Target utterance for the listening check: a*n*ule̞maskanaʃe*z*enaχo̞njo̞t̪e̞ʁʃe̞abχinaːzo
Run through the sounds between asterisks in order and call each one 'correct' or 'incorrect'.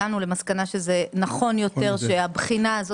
correct, correct

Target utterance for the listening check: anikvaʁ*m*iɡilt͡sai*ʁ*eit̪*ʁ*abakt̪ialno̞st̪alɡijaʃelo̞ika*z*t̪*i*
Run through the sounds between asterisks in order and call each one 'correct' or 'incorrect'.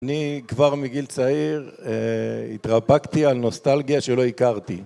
correct, correct, correct, incorrect, correct

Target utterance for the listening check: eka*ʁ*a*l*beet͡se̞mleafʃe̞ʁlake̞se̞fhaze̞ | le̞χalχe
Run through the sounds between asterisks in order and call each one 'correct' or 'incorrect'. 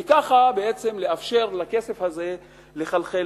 incorrect, incorrect

